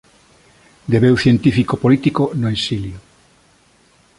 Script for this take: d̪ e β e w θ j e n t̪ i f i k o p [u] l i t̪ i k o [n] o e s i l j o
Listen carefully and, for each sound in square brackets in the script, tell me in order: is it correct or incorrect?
incorrect, correct

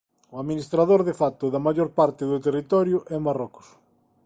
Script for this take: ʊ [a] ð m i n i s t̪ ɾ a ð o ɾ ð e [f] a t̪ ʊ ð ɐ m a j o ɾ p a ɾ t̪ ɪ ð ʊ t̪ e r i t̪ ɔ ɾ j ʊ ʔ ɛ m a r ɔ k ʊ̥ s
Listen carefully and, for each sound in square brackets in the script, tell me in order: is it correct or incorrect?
correct, correct

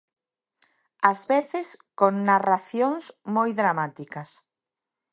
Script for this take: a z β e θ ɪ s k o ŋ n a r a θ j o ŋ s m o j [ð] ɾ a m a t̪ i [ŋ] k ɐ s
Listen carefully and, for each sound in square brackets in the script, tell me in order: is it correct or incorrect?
correct, incorrect

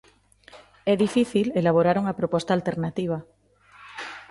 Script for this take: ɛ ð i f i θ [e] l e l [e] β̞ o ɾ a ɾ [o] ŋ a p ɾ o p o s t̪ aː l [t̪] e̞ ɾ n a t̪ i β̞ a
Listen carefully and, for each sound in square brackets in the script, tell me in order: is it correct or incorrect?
incorrect, incorrect, incorrect, correct

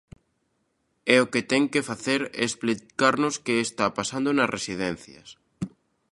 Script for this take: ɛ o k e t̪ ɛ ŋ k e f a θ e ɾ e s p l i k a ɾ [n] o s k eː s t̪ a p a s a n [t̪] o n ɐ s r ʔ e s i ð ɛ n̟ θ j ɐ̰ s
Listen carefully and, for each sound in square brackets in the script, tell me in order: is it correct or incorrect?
correct, incorrect

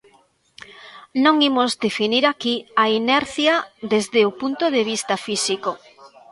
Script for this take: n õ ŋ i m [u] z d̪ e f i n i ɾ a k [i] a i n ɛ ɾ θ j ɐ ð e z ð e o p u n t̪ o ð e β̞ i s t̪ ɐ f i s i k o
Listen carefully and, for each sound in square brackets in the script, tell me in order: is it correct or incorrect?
incorrect, correct

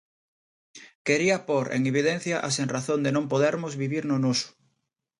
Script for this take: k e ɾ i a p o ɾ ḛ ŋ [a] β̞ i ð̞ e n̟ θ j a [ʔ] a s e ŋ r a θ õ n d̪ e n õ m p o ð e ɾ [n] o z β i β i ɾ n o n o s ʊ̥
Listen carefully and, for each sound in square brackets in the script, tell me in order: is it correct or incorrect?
incorrect, correct, incorrect

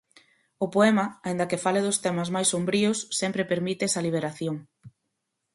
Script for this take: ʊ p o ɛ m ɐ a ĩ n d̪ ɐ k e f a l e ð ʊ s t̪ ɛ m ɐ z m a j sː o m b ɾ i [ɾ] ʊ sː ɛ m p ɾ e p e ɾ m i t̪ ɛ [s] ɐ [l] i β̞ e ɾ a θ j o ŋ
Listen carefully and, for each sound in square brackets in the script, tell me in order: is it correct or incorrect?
incorrect, correct, correct

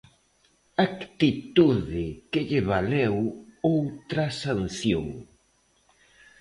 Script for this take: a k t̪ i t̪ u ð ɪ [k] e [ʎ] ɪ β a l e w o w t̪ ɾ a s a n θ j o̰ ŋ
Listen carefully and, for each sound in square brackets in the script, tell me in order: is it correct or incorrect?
correct, correct

